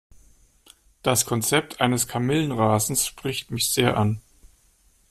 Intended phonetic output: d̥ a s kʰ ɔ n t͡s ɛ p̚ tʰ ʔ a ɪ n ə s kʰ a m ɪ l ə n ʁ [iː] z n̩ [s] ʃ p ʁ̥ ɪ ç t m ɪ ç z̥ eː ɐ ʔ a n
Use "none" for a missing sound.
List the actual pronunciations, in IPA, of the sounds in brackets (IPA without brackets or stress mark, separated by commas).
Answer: aː, s